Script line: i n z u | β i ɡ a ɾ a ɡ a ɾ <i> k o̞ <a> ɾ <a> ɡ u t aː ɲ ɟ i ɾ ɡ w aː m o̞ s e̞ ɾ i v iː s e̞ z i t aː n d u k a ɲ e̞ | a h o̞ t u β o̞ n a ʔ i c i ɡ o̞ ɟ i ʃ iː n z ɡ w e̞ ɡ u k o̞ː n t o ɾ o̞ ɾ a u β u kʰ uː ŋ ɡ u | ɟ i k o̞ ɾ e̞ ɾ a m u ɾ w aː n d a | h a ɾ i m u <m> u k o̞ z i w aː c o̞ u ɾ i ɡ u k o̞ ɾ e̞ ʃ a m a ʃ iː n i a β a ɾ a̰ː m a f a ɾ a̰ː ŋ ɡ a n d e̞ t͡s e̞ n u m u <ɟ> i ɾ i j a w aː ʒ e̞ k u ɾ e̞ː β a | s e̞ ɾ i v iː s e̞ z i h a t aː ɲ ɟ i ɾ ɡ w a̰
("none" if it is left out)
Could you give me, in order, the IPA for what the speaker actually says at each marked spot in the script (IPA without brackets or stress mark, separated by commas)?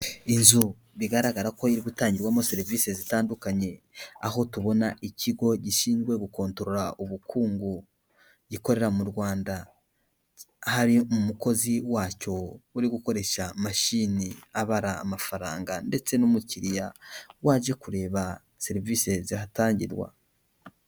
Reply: a, i, i, m, c